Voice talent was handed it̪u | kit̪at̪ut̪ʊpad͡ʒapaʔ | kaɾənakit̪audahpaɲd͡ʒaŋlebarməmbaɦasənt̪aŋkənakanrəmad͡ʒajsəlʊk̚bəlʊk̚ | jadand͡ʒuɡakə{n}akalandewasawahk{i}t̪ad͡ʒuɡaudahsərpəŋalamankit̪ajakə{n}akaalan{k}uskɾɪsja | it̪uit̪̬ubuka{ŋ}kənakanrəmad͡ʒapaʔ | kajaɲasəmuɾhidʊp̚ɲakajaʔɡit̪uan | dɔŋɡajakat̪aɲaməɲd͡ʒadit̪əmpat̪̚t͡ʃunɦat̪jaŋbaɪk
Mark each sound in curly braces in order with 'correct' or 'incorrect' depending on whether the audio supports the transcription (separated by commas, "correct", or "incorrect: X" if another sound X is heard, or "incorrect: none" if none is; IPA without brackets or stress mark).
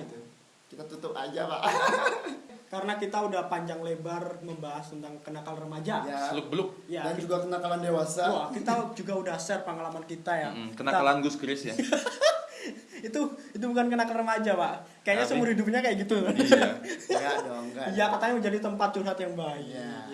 correct, correct, correct, incorrect: ɡ, incorrect: n